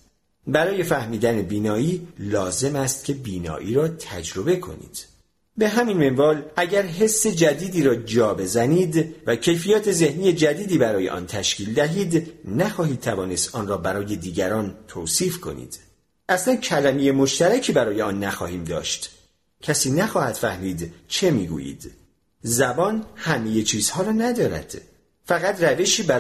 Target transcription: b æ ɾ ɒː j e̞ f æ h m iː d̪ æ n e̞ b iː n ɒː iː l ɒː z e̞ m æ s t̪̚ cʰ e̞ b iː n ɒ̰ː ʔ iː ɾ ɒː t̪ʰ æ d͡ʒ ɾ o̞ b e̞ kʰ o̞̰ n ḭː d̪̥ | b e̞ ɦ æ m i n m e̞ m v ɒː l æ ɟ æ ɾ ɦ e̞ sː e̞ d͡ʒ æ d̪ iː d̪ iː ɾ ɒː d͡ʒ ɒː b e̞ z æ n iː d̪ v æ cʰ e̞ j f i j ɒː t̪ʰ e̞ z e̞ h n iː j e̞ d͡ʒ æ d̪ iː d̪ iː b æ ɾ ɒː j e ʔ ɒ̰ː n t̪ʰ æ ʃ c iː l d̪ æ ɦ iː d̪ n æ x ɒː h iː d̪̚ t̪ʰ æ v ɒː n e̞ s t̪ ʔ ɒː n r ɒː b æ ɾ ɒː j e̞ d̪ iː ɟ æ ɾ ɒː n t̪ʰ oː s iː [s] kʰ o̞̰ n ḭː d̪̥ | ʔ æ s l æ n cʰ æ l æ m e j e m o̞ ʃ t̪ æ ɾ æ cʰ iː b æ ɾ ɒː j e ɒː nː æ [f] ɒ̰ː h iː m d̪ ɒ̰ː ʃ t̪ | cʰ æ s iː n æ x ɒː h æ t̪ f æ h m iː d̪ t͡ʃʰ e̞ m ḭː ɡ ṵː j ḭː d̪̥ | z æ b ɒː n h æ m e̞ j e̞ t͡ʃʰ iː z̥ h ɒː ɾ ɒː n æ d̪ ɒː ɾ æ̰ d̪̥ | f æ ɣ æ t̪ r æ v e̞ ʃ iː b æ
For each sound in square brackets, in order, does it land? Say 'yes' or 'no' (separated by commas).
no, no